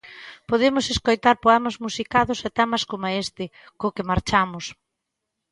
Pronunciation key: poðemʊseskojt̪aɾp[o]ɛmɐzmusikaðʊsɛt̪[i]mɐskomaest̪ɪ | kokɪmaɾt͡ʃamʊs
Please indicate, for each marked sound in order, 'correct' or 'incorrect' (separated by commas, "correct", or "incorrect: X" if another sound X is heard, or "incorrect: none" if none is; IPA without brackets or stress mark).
correct, incorrect: ɛ